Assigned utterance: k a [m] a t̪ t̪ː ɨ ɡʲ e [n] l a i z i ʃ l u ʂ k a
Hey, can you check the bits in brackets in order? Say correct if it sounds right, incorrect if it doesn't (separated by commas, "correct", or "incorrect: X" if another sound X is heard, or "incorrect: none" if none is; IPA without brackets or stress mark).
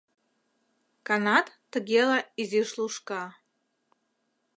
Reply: incorrect: n, incorrect: none